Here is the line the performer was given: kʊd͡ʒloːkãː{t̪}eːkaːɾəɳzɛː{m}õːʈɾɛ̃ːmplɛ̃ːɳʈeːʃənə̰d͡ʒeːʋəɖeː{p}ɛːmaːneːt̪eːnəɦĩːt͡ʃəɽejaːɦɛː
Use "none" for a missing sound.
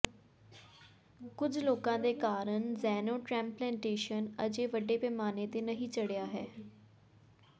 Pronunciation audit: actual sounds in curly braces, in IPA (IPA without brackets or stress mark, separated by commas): d̪, n, p